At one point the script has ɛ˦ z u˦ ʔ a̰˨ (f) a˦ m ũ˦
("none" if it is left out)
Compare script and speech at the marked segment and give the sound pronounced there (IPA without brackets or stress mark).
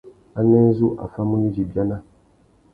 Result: f